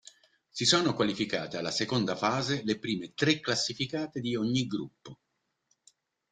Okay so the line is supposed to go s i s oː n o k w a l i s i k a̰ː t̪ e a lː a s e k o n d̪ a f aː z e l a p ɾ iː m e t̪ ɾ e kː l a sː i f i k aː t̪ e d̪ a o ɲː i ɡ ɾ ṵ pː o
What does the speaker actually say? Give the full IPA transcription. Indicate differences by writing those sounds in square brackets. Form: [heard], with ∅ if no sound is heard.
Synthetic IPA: s i s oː n o k w a l i [f] i k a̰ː t̪ e a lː a s e k o n d̪ a f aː z e l [e] p ɾ iː m e t̪ ɾ e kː l a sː i f i k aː t̪ e d̪ [i] o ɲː i ɡ ɾ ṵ pː o